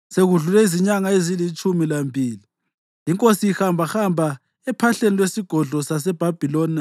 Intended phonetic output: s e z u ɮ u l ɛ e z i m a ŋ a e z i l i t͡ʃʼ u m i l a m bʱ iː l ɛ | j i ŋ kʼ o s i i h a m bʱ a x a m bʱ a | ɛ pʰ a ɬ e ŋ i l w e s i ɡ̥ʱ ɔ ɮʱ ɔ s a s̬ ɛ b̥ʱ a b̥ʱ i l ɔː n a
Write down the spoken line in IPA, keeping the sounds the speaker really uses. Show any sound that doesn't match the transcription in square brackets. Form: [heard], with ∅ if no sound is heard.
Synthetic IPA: s e [ɣ] u ɮ u l ɛ [i] z i [ɲ] a ŋ a e z i l i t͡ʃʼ u m i l a m bʱ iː l [i] | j i ŋ kʼ o s i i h a m bʱ a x a m bʱ a | ɛ pʰ a ɬ e [n] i l w e s i ɡ̥ʱ ɔ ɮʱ ɔ s a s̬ ɛ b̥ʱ a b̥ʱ i l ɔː n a